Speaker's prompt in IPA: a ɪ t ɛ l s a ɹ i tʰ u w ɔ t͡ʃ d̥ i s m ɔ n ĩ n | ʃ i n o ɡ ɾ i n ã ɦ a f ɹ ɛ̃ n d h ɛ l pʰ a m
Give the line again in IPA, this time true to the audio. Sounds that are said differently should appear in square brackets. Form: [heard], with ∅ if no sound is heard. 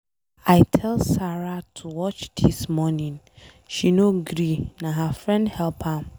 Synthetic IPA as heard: a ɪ [tʰ] ɛ l s a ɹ [a] tʰ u w ɔ t͡ʃ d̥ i s m ɔ n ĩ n | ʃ i n o ɡ ɾ i n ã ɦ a f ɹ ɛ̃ n d h ɛ l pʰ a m